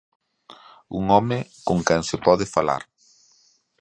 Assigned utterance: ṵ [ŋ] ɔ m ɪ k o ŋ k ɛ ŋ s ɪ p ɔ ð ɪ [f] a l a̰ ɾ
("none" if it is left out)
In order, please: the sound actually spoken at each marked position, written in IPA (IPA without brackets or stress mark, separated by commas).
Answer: ŋ, f